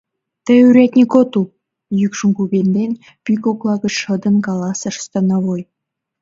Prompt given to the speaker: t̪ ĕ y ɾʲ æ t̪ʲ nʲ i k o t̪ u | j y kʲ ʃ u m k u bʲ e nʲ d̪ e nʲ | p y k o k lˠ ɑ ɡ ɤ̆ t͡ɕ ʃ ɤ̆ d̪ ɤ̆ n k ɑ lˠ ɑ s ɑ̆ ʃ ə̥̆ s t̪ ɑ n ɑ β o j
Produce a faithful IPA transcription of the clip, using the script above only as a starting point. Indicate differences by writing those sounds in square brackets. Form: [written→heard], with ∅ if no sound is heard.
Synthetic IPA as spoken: t̪ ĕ y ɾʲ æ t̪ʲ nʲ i k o t̪ u | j y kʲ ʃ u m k u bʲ e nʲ d̪ e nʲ | p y k o k lˠ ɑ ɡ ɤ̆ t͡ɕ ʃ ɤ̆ d̪ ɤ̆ n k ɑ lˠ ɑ s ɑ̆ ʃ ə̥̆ s t̪ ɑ n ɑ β o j